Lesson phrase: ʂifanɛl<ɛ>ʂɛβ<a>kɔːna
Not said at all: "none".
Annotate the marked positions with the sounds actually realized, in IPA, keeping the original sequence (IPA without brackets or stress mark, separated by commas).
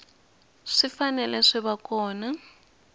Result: ɛ, a